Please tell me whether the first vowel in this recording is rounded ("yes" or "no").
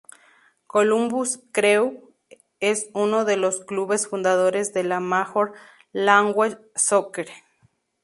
yes